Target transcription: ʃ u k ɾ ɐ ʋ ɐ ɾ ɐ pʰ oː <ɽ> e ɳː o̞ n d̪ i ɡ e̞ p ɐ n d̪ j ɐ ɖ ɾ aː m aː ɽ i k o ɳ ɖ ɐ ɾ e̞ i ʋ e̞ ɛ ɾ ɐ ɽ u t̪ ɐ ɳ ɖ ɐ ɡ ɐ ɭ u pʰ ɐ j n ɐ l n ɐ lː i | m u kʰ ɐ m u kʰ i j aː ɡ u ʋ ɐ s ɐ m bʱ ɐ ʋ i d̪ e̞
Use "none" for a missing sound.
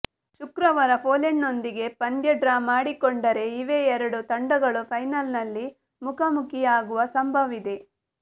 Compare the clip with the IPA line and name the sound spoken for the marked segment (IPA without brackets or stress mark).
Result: l